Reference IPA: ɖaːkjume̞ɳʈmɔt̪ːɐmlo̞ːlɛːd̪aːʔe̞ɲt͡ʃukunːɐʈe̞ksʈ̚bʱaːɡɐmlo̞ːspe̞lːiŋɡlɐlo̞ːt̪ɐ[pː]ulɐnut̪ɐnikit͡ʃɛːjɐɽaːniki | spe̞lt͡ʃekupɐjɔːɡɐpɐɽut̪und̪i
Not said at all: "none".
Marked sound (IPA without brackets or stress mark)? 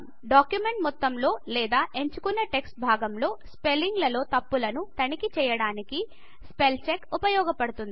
pː